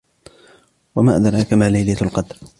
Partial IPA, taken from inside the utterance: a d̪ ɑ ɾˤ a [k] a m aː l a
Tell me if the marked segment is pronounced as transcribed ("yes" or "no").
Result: yes